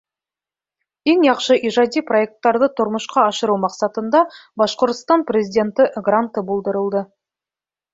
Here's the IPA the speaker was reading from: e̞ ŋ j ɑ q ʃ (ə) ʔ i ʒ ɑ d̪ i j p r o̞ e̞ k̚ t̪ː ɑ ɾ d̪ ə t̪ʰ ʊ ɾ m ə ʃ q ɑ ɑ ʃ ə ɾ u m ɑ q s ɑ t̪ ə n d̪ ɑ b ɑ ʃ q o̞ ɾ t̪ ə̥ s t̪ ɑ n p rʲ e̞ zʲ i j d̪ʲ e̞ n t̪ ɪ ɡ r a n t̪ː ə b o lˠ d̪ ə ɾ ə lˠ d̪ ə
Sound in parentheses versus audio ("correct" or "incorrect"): correct